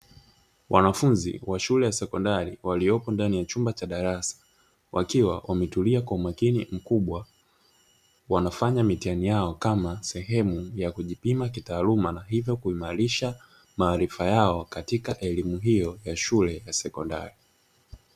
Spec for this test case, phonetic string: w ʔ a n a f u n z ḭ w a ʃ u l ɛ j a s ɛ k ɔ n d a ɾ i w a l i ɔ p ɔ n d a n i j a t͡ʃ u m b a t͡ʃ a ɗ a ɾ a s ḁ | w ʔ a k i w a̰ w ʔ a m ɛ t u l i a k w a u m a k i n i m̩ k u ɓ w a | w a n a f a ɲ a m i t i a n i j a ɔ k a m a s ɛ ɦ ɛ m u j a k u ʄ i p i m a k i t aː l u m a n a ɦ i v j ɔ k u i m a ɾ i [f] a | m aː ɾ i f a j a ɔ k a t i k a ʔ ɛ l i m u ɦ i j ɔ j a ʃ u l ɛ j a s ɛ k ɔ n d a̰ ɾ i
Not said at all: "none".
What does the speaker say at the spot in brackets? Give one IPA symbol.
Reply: ʃ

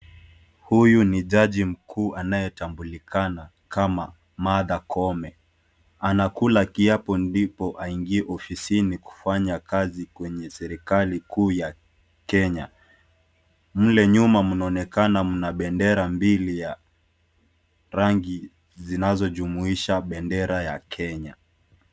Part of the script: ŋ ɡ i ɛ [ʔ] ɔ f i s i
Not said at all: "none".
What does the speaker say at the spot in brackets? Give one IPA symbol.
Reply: ʔ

